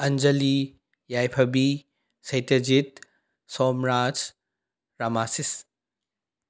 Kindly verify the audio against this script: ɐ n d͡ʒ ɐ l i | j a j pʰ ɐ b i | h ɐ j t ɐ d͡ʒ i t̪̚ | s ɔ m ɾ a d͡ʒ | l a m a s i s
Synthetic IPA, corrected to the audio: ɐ n d͡ʒ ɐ l i | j a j pʰ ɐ b i | s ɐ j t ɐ d͡ʒ i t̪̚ | s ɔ m ɾ a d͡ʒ | ɾ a m a s i s